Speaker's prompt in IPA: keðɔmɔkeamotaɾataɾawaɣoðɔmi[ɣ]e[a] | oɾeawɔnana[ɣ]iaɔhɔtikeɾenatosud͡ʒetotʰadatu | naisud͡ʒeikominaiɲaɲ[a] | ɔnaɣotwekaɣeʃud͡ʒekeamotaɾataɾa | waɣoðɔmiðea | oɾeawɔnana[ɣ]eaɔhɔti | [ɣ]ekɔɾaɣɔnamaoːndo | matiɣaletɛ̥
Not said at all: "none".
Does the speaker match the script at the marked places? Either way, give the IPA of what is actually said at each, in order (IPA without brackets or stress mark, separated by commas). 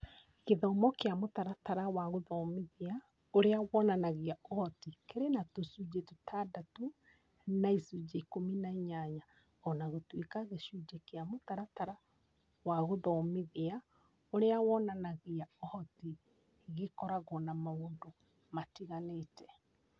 ð, a, ɣ, a, ɣ, ɣ